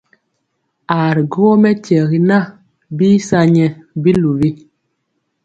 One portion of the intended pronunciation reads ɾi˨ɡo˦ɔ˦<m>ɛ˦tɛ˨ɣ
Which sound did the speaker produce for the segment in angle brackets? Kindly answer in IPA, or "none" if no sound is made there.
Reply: m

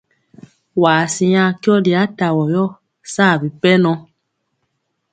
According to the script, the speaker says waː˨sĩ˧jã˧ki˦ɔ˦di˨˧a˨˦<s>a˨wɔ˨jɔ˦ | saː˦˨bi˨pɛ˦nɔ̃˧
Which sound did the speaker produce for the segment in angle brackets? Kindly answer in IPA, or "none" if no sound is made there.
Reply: t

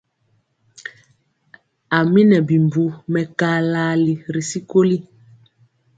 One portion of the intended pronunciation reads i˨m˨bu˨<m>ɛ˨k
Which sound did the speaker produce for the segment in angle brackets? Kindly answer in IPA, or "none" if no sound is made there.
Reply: m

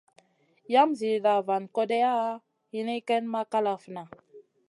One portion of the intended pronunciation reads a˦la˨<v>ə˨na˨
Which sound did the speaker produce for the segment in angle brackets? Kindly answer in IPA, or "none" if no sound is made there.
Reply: f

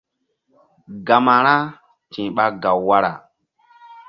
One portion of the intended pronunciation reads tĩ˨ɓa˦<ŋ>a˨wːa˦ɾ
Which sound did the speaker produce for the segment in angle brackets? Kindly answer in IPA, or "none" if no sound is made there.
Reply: ɡ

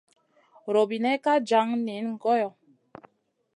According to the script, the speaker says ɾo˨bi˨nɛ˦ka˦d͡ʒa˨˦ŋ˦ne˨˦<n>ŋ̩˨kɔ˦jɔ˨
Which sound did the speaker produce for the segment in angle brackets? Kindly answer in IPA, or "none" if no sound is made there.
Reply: n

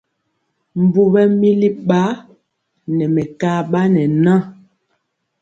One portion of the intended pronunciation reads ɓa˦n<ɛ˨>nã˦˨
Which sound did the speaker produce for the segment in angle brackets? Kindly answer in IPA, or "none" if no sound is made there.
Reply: ɛ˨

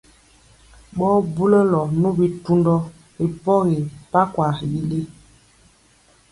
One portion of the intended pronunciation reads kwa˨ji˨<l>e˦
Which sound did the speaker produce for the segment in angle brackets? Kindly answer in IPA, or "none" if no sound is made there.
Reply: l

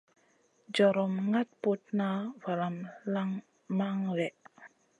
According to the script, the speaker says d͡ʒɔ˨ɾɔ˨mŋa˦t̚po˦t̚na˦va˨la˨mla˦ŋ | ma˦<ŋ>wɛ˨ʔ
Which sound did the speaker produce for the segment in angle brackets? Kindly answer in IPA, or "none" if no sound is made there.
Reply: ŋ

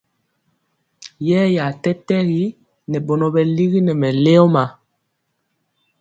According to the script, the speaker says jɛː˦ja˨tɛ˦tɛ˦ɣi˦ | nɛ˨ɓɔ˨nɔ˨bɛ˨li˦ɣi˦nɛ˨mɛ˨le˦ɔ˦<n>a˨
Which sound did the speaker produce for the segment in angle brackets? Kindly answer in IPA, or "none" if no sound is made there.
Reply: m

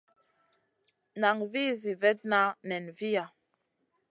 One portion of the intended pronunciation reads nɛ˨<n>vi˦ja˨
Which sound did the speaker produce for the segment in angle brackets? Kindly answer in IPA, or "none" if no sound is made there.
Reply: n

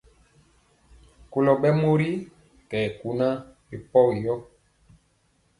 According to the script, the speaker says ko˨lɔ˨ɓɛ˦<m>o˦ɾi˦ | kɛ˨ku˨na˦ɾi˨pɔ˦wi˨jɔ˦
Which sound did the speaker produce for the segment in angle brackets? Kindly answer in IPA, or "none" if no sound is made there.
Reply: m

